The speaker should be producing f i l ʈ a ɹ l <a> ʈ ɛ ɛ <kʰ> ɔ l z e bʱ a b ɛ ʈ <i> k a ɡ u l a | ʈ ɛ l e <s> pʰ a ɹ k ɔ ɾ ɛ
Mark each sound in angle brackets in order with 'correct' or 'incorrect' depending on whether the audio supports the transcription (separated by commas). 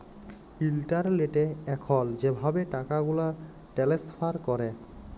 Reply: incorrect, correct, incorrect, correct